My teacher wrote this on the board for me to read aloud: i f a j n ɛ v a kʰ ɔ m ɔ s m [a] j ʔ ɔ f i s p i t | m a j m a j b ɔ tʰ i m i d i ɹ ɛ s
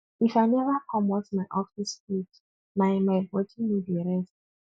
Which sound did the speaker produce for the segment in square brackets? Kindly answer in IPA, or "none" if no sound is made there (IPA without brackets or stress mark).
a